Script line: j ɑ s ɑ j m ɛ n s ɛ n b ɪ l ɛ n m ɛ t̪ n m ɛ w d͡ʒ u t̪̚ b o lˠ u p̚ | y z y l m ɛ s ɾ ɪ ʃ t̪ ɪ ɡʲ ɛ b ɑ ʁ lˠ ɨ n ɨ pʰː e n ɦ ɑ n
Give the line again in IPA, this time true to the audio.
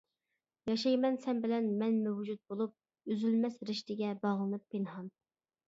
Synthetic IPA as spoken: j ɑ ʃ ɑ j m ɛ n s ɛ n b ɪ l ɛ n m ɛ n m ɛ w d͡ʒ u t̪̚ b o lˠ u p̚ | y z y l m ɛ s ɾ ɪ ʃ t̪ ɪ ɡʲ ɛ b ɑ ʁ lˠ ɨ n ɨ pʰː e n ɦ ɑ n

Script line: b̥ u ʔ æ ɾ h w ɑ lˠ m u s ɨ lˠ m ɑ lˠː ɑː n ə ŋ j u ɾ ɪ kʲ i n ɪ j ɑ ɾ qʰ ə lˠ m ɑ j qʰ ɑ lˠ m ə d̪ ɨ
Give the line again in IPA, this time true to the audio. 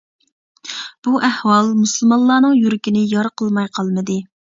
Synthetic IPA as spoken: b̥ u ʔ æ h w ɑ lˠ m u s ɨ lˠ m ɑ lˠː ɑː n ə ŋ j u ɾ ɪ kʲ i n ɪ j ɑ ɾ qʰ ə lˠ m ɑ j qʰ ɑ lˠ m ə d̪ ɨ

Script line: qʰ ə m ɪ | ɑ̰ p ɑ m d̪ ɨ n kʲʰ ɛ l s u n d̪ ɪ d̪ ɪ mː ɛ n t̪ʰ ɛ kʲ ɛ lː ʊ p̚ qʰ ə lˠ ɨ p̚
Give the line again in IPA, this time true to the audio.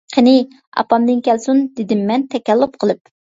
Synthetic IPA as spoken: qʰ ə n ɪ | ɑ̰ p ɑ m d̪ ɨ n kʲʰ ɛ l s u n d̪ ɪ d̪ ɪ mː ɛ n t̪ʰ ɛ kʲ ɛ lː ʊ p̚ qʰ ə lˠ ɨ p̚

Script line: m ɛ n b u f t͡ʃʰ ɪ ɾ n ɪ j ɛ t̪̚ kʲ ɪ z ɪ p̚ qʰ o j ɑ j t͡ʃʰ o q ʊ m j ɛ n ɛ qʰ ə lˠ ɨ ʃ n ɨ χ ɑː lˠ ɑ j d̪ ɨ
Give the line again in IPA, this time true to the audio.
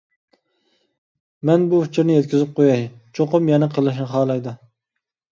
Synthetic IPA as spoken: m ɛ n b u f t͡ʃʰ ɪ ɾ n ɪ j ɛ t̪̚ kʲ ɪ z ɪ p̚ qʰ o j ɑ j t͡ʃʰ o q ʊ m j ɛ n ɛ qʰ ə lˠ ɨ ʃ n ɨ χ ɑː lˠ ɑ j d̪ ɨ

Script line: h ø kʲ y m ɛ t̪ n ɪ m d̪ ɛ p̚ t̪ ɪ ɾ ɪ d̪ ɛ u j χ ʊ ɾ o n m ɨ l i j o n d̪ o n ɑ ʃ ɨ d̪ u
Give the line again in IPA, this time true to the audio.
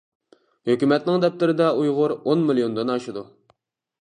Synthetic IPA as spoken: h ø kʲ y m ɛ t̪ n ɪ ŋ d̪ ɛ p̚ t̪ ɪ ɾ ɪ d̪ ɛ u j ʁ ʊ ɾ o n m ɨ l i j o n d̪ o n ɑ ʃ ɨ d̪ u

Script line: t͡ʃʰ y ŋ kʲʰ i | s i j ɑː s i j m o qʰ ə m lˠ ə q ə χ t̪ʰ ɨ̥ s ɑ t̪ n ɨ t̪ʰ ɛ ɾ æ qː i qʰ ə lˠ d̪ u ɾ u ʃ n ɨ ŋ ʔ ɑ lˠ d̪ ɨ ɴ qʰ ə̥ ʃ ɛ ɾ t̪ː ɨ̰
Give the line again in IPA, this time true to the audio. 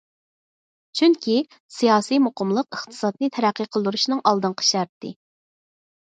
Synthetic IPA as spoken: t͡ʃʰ y ŋ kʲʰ i | s i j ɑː s i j m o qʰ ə m lˠ ə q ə χ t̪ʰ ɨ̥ s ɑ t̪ n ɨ t̪ʰ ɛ ɾ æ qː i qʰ ə lˠ d̪ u ɾ u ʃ n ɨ ŋ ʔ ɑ lˠ d̪ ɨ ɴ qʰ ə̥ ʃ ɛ ɾ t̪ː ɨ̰

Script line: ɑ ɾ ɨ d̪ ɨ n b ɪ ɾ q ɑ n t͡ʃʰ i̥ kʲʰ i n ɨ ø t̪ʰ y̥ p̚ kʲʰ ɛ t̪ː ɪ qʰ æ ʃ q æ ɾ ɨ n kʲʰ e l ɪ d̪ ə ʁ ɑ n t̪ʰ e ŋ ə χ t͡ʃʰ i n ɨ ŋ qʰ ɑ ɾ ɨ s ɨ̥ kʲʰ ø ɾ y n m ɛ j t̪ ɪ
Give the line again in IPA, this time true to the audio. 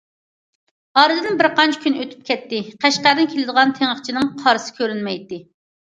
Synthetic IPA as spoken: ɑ ɾ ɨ d̪ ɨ n b ɪ ɾ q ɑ n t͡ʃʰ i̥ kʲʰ y n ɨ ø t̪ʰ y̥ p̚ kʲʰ ɛ t̪ː ɪ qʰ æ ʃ q æ ɾ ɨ n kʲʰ e l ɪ d̪ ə ʁ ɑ n t̪ʰ e ŋ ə χ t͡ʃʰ i n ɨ ŋ qʰ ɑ ɾ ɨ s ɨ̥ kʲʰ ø ɾ y n m ɛ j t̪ ɪ

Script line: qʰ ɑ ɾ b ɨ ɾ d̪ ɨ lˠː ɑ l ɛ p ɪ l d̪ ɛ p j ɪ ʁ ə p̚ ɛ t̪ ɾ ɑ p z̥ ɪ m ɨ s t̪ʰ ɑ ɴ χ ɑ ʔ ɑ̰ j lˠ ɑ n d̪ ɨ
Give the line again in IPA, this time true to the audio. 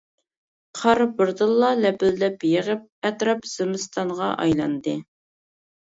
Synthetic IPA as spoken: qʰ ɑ ɾ b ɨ ɾ d̪ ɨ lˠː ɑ l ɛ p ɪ l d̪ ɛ p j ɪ ʁ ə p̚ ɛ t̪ ɾ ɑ p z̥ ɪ m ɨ s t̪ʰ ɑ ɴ ʁ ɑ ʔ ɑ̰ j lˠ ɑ n d̪ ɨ

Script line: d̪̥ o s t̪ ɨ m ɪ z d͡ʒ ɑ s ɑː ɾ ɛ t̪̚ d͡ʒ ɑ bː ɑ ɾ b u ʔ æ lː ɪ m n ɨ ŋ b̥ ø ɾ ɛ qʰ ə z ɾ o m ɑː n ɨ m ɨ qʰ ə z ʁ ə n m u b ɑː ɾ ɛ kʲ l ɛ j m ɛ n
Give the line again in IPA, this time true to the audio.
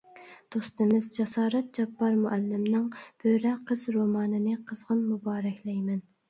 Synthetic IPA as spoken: d̪̥ o s t̪ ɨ m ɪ z d͡ʒ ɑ s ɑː ɾ ɛ t̪̚ d͡ʒ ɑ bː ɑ ɾ m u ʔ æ lː ɪ m n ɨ ŋ b̥ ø ɾ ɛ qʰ ə z ɾ o m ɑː n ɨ n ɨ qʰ ə z ʁ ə n m u b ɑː ɾ ɛ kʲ l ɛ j m ɛ n

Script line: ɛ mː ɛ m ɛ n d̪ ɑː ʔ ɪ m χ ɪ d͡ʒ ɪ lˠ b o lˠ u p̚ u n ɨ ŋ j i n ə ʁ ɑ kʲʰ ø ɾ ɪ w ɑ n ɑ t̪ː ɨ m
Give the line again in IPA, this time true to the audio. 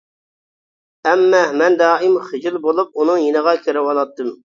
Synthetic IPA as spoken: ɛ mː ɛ m ɛ n d̪ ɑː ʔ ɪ m χ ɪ d͡ʒ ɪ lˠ b o lˠ u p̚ u n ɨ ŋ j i n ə ʁ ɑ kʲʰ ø ɾ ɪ w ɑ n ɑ t̪ː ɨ m

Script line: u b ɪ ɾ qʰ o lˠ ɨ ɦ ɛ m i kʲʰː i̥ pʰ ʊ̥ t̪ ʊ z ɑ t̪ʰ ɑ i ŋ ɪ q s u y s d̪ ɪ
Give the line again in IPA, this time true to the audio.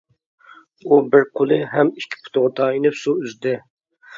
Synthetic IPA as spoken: u b ɪ ɾ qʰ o lˠ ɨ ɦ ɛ m i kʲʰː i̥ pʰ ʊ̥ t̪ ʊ ʁ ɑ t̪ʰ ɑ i n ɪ p s u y z d̪ ɪ

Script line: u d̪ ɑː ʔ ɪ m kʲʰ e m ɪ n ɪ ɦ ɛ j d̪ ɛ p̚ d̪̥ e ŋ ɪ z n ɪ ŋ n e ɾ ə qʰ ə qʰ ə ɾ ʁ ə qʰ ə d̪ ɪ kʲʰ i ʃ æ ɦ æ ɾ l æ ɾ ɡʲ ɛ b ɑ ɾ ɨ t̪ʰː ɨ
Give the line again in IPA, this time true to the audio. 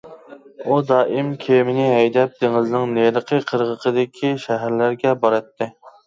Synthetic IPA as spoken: u d̪ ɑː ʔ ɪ m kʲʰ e m ɪ n ɪ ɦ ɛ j d̪ ɛ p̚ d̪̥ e ŋ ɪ z n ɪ ŋ n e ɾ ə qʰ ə qʰ ə ɾ ʁ ə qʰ ə d̪ ɪ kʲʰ i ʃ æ ɦ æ ɾ l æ ɾ ɡʲ ɛ b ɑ ɾ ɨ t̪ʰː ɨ

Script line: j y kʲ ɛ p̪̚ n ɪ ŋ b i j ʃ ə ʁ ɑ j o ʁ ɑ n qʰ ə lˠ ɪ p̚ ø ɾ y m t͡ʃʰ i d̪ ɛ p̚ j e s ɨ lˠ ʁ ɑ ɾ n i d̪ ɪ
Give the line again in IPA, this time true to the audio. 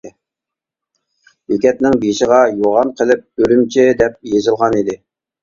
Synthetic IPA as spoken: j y kʲ ɛ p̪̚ n ɪ ŋ b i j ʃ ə ʁ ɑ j o ʁ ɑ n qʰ ə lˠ ɪ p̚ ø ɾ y m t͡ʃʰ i d̪ ɛ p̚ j e z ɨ lˠ ʁ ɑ n i d̪ ɪ

